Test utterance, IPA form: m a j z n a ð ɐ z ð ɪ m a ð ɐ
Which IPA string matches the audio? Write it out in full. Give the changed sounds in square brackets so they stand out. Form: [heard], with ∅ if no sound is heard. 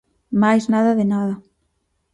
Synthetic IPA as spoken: m a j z n a ð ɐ [∅] ð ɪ [n] a ð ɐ